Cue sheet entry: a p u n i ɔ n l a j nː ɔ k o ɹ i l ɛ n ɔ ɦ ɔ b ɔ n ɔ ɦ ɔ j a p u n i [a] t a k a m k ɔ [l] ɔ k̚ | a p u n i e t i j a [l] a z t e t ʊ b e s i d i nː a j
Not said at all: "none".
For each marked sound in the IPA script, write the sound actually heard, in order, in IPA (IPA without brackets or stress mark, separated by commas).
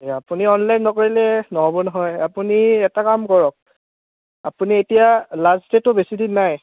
ɛ, ɹ, l